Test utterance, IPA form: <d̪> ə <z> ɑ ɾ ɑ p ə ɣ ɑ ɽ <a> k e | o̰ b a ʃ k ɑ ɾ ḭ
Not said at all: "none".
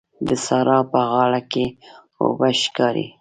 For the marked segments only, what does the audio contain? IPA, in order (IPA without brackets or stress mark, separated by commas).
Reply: d̪, s, a